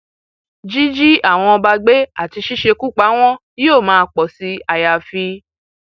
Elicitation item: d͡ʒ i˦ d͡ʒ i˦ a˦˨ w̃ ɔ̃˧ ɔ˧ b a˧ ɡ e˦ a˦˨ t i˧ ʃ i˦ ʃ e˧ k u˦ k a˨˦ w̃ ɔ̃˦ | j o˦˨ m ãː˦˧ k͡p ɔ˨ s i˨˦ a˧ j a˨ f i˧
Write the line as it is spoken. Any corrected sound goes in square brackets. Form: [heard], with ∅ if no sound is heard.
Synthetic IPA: d͡ʒ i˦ d͡ʒ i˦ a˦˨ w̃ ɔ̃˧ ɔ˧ b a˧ [ɡ͡b] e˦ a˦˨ t i˧ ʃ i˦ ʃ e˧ k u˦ [k͡p] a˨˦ w̃ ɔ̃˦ | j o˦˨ m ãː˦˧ k͡p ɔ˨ s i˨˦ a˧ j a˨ f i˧